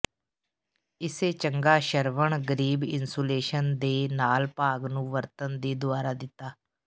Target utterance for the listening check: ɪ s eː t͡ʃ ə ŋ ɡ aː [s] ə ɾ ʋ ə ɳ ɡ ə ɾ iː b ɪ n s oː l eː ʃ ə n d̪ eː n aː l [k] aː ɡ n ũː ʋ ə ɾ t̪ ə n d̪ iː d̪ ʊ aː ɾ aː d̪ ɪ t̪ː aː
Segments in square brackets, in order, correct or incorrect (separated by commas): incorrect, incorrect